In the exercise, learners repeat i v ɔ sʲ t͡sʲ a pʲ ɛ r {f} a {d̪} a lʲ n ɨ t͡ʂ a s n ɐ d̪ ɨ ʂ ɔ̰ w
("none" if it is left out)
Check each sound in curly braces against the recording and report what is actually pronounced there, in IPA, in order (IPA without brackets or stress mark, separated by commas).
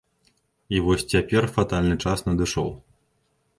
f, t̪